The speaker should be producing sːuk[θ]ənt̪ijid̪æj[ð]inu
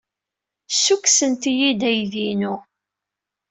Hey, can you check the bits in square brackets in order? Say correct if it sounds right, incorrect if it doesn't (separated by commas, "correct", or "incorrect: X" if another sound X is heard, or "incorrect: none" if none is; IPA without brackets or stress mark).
incorrect: s, correct